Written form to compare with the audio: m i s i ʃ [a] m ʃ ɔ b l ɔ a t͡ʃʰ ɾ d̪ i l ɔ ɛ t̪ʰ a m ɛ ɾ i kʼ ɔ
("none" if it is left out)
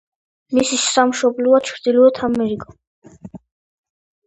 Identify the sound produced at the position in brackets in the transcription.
a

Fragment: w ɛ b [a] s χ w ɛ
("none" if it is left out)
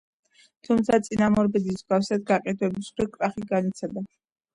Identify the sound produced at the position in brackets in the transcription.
i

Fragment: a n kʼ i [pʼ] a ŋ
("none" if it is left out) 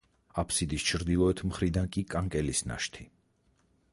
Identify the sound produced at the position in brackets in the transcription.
kʼ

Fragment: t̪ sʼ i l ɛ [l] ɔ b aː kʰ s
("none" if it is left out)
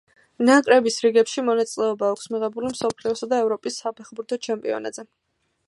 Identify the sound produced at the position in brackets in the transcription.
none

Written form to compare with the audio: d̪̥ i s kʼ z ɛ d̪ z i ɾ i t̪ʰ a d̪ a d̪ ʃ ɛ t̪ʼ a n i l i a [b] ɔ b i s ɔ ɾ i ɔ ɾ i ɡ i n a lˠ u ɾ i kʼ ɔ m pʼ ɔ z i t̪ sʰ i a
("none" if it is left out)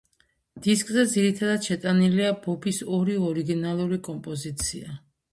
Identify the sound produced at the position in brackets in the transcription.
b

